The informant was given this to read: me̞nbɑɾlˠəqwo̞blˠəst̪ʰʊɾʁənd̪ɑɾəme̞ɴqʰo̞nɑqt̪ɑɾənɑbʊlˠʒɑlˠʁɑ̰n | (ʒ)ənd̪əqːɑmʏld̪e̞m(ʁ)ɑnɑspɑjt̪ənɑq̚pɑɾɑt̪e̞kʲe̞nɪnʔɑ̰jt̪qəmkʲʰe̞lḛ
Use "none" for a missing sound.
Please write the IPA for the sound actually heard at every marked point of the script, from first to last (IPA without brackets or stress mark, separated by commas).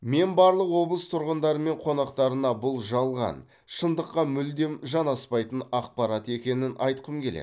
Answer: ʃ, ʒ